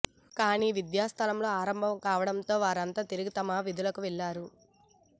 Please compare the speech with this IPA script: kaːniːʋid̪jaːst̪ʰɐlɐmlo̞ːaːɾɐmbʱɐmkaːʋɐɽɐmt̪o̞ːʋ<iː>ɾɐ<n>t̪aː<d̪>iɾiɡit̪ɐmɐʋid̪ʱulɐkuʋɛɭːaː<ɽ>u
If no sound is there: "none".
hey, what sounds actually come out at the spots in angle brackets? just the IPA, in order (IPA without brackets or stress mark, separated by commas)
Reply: aː, n, t̪, ɾ